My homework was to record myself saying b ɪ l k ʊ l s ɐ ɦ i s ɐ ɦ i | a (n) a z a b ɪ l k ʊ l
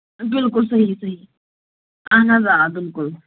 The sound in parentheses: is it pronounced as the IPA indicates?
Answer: yes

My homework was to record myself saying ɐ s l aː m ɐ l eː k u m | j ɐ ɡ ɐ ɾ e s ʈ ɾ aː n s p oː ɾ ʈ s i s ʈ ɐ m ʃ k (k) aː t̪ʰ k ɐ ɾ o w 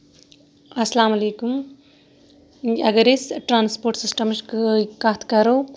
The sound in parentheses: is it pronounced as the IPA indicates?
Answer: yes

